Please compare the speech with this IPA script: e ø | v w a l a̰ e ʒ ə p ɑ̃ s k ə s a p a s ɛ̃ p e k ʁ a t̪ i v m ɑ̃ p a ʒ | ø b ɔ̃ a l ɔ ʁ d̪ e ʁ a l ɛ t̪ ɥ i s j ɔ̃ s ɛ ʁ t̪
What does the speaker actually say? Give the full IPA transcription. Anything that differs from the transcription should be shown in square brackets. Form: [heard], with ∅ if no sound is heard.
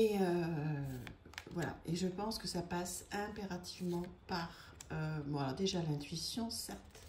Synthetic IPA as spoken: e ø | v w a l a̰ e ʒ ə p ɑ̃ s k ə s a p a s ɛ̃ p e [∅] ʁ a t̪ i v m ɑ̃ p a [ʁ] | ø b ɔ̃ a l ɔ ʁ d̪ e [ʒ] a l [ɛ̃] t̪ ɥ i s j ɔ̃ s ɛ ʁ t̪

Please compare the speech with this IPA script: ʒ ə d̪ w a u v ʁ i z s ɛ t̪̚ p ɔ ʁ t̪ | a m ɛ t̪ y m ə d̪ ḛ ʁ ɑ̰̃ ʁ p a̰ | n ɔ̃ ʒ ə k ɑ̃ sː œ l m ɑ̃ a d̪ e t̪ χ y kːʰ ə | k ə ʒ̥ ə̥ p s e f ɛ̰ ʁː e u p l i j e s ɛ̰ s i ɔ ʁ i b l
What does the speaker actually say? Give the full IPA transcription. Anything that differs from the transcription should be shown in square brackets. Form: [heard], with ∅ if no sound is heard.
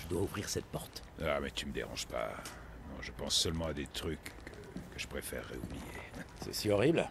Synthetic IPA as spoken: ʒ ə d̪ w a u v ʁ i [ʁ] s ɛ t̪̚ p ɔ ʁ t̪ | a m ɛ t̪ y m ə d̪ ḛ ʁ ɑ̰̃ [ʒ] p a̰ | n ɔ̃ ʒ ə [p] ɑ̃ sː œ l m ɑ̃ a d̪ e t̪ χ y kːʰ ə | k ə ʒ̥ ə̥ p [χ] e f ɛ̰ ʁː e u [b] l i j e s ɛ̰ s i ɔ ʁ i b l

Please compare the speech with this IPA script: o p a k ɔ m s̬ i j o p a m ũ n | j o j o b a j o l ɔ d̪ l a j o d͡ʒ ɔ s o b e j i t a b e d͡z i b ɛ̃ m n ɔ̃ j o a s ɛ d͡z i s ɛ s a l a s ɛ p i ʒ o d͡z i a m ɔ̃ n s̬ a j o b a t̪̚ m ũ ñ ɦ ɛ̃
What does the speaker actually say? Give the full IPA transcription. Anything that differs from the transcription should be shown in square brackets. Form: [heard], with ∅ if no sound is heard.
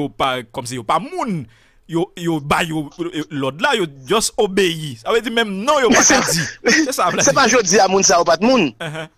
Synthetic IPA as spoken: o p a k ɔ m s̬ i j o p a m ũ n | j o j o b a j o l ɔ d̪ l a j o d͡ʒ ɔ s o b e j i [s] a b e d͡z i [m] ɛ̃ m n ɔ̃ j o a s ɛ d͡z i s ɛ s a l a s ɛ p [a] ʒ o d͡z i a m [ũ] n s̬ a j o [p] a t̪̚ m ũ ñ ɦ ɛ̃

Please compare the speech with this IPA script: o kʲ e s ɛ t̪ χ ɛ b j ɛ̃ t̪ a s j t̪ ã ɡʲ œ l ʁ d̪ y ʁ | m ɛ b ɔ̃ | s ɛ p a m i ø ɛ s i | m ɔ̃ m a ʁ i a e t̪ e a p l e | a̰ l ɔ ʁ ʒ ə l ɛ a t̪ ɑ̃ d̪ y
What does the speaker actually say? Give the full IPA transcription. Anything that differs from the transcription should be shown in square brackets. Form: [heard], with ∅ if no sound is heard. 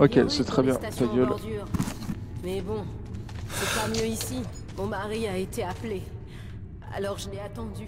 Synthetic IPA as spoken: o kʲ e s ɛ t̪ χ ɛ b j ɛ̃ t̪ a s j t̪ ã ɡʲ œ l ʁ d̪ y ʁ | m ɛ b ɔ̃ | s ɛ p a m [j] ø [i] s i | m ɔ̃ m a ʁ i a e t̪ e a p l e | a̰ l ɔ ʁ ʒ ə l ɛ a t̪ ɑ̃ d̪ y

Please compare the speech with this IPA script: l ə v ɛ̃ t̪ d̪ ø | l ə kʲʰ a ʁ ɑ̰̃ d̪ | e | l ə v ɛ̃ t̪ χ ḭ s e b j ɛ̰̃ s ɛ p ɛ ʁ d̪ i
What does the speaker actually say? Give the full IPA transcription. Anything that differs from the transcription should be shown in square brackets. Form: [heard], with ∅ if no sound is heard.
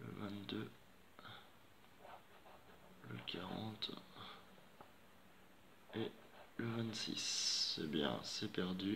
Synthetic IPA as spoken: l ə v ɛ̃ t̪ d̪ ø | l ə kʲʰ a ʁ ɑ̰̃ [t̪] | e | l ə v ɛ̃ t̪ [s] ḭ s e b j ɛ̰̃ s ɛ p ɛ ʁ d̪ [y]

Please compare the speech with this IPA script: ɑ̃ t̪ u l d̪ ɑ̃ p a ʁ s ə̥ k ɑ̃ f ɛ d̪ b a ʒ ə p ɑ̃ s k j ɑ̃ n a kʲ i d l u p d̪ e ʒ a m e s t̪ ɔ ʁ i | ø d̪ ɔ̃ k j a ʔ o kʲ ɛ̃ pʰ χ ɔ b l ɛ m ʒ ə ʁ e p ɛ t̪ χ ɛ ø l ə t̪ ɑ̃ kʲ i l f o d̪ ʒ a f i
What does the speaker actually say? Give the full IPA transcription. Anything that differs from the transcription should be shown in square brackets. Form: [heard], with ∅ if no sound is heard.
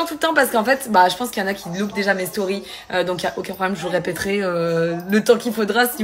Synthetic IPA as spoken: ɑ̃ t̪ u l [t̪] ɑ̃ p a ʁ s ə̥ k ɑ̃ f ɛ [t̪] b a ʒ ə p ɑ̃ s k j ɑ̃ n a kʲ i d l u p d̪ e ʒ a m e s t̪ ɔ ʁ i | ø d̪ ɔ̃ k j a ʔ o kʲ ɛ̃ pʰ χ ɔ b l ɛ m ʒ ə ʁ e p ɛ t̪ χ ɛ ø l ə t̪ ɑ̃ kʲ i l f o d̪ [ʁ] a [s] i

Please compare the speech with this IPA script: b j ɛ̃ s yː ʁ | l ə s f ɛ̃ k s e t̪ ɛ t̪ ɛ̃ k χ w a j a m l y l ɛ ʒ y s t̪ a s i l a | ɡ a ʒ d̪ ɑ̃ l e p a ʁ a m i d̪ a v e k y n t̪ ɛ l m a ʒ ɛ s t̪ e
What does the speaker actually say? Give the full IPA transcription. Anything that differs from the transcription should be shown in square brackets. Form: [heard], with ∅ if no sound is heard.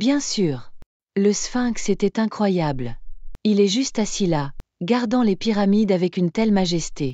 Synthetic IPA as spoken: b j ɛ̃ s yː ʁ | l ə s f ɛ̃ k s e t̪ ɛ t̪ ɛ̃ k χ w a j a [b] l [i] l ɛ ʒ y s t̪ a s i l a | ɡ a [ʁ] d̪ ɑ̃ l e p [i] ʁ a m i d̪ a v [ɛ] k y n t̪ ɛ l m a ʒ ɛ s t̪ e

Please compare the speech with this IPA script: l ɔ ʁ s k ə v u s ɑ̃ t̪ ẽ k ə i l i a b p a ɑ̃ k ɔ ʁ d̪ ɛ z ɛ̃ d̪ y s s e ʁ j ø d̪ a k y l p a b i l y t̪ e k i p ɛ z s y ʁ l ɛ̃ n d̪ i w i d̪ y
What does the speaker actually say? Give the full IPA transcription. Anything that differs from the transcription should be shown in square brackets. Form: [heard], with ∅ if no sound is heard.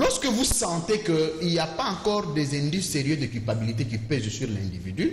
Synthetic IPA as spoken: l ɔ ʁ s k ə v u s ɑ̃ t̪ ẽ k ə i l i a [∅] p a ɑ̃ k ɔ ʁ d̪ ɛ z ɛ̃ d̪ y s s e ʁ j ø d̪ [ə] k y l p a b i l [i] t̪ e k i p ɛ z s y ʁ l ɛ̃ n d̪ i [v] i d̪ y

